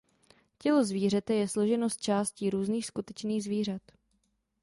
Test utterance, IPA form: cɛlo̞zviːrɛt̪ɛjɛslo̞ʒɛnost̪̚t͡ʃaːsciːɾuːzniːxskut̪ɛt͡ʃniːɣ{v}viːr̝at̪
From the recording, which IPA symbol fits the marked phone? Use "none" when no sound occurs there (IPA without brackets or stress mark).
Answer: z